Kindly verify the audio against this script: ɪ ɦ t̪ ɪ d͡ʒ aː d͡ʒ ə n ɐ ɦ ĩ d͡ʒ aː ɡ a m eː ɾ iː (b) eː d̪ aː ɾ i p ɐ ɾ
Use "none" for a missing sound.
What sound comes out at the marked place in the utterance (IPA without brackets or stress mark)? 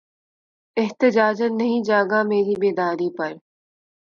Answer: b